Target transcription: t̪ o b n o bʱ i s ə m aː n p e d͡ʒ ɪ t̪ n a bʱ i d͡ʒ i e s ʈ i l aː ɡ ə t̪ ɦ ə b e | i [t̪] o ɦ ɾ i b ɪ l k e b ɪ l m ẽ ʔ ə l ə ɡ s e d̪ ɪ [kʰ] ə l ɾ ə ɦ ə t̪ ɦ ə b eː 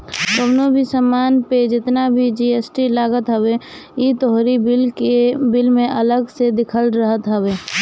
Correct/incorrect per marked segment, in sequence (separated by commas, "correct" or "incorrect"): correct, correct